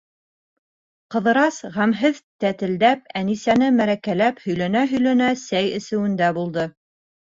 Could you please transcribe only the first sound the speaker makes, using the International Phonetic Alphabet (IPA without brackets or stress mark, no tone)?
q